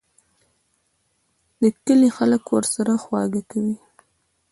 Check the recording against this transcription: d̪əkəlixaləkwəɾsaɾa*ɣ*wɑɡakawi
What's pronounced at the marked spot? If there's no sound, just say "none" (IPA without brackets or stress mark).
x